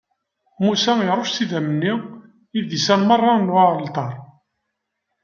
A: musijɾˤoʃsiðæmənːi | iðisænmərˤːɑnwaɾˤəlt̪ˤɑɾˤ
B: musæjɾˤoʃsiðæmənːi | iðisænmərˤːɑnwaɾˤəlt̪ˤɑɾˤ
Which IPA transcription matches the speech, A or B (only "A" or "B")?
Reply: B